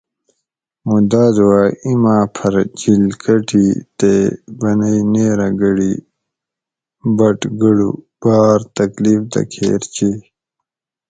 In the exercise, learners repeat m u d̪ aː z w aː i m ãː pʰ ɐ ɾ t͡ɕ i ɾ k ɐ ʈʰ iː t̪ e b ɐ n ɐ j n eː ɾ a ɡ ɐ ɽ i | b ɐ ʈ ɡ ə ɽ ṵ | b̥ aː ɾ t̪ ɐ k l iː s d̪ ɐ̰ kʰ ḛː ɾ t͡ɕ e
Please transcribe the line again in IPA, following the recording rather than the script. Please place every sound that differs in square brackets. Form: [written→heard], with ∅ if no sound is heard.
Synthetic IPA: m u d̪ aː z w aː i m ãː pʰ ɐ ɾ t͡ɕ i [ɾ→l] k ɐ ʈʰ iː t̪ e b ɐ n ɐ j n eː ɾ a ɡ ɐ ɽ i | b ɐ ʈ ɡ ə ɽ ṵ | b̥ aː ɾ t̪ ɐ k l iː [s→f] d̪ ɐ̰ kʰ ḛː ɾ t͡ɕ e